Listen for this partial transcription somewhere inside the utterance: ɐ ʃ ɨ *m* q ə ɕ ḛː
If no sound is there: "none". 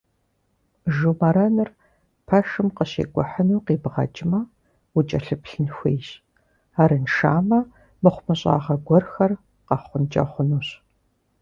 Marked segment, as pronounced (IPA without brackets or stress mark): m